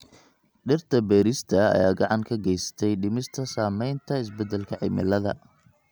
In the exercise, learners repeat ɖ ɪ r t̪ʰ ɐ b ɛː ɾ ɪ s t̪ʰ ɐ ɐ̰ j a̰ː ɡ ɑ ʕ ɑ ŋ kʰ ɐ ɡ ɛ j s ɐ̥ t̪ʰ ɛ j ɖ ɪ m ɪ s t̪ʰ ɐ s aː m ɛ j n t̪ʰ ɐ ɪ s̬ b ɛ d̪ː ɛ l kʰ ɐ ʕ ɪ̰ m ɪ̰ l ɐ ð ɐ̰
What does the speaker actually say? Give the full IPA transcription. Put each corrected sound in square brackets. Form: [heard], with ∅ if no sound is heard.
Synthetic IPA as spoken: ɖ ɪ r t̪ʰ ɐ b ɛː ɾ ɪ s t̪ʰ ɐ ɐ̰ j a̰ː ɡ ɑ ʕ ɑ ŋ kʰ ɐ ɡ ɛ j s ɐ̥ t̪ʰ ɛ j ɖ ɪ m ɪ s t̪ʰ ɐ s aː m ɛ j n t̪ʰ ɐ ɪ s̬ b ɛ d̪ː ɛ l kʰ ɐ ʕ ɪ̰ m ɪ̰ l ɐ ð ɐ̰